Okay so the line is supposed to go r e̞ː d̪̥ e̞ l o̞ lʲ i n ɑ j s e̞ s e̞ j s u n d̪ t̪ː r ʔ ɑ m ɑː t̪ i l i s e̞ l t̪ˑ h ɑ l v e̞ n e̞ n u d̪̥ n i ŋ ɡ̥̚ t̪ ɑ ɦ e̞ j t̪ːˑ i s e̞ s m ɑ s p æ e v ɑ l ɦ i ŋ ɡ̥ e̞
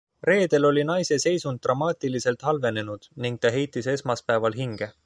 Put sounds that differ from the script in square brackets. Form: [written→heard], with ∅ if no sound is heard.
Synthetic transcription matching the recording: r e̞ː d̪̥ e̞ l o̞ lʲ i n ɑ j s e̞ s e̞ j s u n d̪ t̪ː r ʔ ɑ m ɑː t̪ i l i s e̞ l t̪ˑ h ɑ l v e̞ n e̞ n u d̪̥ n i ŋ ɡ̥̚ t̪ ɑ ɦ e̞ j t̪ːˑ i s e̞ s m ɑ s p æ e v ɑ l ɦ i ŋ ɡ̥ e̞